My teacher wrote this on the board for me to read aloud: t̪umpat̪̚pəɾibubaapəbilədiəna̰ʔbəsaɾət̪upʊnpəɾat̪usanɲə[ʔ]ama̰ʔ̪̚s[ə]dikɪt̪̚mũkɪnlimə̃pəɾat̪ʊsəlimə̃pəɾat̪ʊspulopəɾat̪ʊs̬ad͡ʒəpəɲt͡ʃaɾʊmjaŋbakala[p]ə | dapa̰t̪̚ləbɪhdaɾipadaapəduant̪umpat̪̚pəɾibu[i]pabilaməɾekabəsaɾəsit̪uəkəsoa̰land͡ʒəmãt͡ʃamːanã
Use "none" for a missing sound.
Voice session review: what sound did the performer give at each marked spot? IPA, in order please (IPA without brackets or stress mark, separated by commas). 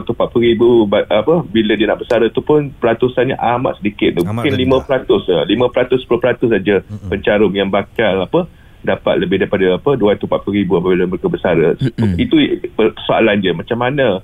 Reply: ʔ, ə, p, a